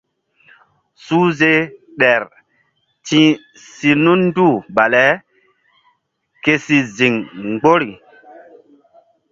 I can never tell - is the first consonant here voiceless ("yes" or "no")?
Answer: yes